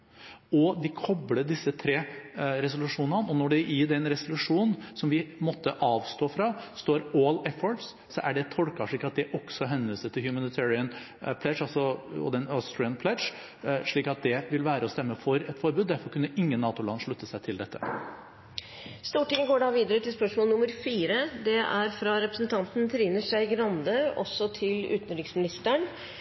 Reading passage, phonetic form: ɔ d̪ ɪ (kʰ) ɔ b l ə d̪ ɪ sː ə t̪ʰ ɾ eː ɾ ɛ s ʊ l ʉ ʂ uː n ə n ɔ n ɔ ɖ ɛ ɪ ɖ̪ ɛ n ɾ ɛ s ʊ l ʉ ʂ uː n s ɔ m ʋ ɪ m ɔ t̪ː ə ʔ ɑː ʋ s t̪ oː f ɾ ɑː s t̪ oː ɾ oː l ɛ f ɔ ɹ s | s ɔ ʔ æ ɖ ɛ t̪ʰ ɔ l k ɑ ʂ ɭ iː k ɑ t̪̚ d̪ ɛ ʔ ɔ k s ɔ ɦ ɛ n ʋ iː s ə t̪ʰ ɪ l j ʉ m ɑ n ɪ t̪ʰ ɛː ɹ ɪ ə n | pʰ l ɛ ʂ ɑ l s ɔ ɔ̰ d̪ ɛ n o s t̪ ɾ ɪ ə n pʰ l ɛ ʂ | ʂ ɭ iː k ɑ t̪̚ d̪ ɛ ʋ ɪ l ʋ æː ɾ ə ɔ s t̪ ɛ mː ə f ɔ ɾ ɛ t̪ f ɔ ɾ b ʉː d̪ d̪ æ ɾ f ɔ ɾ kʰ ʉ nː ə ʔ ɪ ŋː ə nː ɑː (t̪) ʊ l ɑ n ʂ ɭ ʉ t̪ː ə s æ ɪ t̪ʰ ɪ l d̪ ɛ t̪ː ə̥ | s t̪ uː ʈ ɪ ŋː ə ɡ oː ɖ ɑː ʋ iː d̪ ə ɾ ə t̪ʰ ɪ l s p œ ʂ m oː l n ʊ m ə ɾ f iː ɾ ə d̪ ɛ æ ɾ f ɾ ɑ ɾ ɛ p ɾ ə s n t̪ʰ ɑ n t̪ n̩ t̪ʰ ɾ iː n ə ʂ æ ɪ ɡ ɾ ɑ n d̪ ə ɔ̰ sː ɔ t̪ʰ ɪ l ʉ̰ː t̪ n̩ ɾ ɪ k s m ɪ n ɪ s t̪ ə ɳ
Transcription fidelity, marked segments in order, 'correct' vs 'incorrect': correct, correct

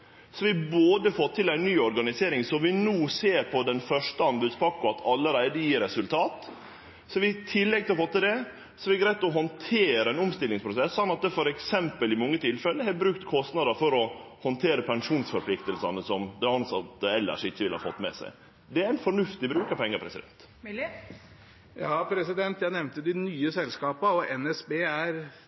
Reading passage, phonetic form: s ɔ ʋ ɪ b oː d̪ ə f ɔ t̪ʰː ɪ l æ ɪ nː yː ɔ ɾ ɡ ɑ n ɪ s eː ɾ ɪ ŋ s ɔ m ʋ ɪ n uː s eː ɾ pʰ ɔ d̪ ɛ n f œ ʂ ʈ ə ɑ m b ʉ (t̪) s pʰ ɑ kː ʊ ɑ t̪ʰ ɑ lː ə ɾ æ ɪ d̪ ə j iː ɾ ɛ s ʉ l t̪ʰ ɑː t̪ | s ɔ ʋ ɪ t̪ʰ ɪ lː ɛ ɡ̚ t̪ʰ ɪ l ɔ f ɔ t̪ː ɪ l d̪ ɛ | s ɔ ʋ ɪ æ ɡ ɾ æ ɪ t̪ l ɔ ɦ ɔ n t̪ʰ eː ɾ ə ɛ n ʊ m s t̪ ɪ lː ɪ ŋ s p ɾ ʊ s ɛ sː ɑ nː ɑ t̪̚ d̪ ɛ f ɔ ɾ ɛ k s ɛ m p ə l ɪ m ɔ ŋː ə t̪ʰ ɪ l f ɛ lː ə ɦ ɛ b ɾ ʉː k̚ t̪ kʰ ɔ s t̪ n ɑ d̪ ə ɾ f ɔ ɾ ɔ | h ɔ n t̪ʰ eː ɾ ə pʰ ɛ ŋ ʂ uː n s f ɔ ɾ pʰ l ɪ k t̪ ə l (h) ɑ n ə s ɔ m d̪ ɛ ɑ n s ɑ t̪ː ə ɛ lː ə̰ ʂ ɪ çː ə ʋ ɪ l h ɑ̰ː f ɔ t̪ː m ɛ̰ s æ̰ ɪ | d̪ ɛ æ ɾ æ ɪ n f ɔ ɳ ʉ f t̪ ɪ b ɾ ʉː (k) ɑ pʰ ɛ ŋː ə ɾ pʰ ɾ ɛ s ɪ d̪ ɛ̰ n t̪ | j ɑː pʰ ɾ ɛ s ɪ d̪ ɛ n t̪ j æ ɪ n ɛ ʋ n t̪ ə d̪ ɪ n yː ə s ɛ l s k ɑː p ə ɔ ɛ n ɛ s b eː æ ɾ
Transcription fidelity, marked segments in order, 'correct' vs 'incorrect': incorrect: d̪, incorrect: s, correct

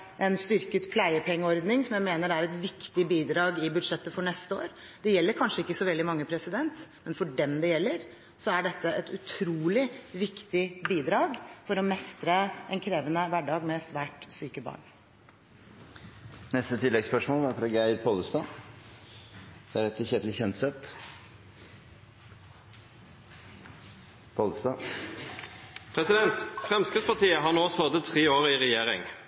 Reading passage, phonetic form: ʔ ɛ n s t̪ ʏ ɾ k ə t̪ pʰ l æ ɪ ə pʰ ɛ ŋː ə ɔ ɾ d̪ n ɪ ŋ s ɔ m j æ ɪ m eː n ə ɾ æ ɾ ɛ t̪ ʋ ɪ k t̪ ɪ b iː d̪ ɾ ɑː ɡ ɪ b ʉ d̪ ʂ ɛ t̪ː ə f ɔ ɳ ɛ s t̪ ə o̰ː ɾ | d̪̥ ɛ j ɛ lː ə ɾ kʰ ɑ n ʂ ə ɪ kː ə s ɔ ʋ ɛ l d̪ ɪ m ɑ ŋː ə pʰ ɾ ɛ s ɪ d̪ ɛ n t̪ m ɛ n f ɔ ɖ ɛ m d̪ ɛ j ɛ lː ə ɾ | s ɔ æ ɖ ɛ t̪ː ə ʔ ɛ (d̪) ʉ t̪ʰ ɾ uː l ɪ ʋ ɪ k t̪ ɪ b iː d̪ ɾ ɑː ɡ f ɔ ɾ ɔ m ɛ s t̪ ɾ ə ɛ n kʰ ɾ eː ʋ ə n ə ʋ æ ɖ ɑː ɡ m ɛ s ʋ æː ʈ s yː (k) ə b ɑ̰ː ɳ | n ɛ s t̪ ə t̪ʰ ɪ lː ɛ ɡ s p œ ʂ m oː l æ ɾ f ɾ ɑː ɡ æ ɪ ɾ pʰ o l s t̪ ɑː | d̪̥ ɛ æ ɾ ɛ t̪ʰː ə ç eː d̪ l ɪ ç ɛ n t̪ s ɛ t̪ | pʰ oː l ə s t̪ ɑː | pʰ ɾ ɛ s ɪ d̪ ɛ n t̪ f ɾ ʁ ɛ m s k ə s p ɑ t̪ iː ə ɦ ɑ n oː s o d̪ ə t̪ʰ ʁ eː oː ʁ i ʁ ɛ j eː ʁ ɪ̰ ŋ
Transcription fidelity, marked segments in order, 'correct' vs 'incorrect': incorrect: t̪, correct

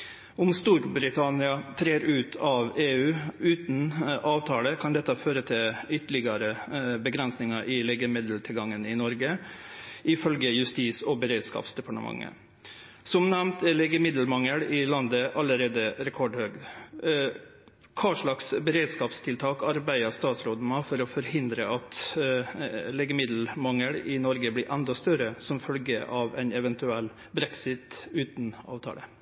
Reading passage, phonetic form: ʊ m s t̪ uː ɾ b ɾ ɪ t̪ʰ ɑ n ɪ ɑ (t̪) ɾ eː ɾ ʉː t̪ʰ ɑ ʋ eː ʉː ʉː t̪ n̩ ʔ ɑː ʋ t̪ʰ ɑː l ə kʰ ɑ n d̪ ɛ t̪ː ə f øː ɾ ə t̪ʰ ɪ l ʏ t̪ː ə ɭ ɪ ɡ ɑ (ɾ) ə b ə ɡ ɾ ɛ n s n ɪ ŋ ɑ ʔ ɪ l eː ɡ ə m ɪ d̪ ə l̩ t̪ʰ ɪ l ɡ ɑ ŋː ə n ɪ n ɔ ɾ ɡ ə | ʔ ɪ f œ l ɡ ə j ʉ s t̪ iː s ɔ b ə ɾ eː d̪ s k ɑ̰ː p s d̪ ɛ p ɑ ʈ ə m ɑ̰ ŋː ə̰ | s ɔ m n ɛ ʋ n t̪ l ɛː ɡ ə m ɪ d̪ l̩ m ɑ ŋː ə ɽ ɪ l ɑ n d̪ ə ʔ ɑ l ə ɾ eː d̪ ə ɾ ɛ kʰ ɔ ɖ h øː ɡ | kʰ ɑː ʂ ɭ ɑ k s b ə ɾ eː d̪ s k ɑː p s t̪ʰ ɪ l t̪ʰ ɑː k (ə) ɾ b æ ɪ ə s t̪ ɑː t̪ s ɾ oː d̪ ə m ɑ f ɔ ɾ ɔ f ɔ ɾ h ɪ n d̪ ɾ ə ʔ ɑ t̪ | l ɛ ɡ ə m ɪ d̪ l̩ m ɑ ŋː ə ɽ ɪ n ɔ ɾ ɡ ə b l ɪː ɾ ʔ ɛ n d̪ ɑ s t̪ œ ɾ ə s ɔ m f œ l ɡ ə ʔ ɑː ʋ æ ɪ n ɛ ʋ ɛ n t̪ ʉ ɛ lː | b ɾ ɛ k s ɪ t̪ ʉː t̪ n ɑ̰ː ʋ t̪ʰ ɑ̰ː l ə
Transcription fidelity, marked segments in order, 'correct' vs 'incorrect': incorrect: t̪ʰ, correct, incorrect: ɑ

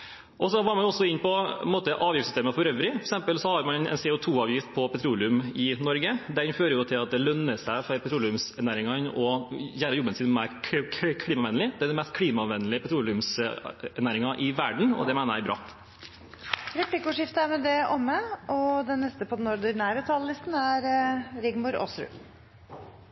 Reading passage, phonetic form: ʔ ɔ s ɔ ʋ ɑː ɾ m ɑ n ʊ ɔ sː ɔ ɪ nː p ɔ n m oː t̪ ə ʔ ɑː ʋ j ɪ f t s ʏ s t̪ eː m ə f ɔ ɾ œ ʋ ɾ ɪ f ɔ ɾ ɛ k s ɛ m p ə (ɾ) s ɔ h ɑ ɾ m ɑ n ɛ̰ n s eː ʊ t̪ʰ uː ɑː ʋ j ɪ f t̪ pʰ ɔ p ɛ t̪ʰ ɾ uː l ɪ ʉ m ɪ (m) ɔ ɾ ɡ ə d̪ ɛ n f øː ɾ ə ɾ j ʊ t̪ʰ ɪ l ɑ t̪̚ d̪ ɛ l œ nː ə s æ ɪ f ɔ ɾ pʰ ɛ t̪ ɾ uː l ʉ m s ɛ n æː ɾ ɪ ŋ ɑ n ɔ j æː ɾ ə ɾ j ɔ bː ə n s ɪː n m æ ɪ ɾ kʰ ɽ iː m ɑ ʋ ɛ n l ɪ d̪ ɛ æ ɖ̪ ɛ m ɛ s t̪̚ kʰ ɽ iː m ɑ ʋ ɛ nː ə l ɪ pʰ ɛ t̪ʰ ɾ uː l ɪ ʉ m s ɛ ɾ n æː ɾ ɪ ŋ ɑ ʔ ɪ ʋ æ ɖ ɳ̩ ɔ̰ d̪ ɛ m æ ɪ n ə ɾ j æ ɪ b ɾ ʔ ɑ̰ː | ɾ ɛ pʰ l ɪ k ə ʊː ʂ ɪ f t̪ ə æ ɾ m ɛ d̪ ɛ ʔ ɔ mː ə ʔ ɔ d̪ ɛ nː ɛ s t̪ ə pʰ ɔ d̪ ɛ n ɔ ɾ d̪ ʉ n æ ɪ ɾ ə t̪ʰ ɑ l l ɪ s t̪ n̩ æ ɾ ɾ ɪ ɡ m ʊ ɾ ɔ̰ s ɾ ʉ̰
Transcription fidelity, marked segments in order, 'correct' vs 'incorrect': incorrect: l, incorrect: n

